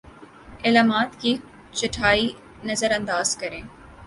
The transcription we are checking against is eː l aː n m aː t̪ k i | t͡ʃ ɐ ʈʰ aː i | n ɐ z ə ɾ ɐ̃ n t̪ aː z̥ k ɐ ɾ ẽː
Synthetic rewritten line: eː l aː m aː t̪ k i | t͡ʃ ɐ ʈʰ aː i | n ɐ z ə ɾ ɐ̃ n d̪ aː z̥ k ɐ ɾ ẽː